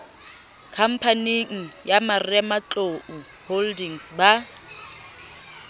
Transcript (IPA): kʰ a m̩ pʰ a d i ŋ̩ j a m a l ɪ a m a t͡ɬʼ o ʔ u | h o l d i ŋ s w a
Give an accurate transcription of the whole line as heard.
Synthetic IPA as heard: kʰ a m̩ pʰ a n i ŋ̩ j a m a r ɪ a m a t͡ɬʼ o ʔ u | h o l d i ŋ s b a